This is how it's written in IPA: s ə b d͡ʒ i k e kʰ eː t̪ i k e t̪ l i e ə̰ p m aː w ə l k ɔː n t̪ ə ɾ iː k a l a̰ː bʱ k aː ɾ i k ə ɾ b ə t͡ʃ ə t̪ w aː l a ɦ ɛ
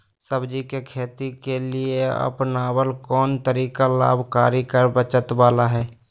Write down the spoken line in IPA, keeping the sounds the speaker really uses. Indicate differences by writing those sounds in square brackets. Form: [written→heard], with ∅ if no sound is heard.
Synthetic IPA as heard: s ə b d͡ʒ i k e kʰ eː t̪ i k e [t̪→∅] l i e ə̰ p [m→n] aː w ə l k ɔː n t̪ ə ɾ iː k a l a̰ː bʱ k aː ɾ i k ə ɾ b ə t͡ʃ ə t̪ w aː l a ɦ [ɛ→ɛː]